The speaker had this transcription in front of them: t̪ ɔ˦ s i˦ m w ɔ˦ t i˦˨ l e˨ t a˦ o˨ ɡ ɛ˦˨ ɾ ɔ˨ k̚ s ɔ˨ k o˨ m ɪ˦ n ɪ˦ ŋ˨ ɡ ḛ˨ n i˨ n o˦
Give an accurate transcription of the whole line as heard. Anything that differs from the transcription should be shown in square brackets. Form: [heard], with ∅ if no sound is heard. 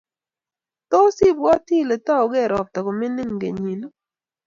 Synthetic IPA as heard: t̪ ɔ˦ s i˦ [b] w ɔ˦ t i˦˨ l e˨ t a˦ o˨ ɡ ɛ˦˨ ɾ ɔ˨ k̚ [t] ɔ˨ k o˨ m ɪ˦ n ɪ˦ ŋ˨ ɡ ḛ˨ [ɲ] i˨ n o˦